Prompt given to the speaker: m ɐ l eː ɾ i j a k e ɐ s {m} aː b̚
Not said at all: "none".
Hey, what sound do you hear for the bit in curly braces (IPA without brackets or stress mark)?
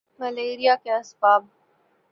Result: b